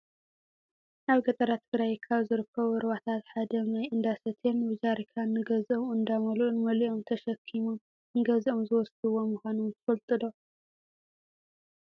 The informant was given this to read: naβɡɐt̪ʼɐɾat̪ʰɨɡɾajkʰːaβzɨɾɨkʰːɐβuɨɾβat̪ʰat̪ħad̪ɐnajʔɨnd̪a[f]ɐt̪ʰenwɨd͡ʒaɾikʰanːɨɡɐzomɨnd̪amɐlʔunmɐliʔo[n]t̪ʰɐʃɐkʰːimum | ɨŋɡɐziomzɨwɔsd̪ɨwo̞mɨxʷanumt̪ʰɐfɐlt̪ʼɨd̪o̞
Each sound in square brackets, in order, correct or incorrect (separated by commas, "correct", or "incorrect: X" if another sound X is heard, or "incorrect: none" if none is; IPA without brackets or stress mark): incorrect: s, incorrect: m